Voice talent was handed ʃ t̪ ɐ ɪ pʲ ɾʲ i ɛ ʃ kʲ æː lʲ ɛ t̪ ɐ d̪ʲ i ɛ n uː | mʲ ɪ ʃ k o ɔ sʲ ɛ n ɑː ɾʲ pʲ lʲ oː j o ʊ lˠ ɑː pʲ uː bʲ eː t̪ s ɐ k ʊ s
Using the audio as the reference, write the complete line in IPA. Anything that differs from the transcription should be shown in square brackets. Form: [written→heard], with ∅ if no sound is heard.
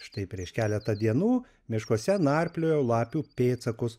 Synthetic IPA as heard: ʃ t̪ ɐ ɪ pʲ ɾʲ i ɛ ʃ kʲ æː lʲ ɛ t̪ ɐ d̪ʲ i ɛ n uː | mʲ ɪ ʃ k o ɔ sʲ ɛ n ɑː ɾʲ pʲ lʲ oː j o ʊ lˠ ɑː pʲ uː [bʲ→pʲ] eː t̪ s ɐ k ʊ s